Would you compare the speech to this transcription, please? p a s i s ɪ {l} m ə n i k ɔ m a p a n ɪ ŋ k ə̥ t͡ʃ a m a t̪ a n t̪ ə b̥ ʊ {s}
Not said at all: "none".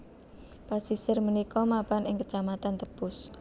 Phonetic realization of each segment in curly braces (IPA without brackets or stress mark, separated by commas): r, s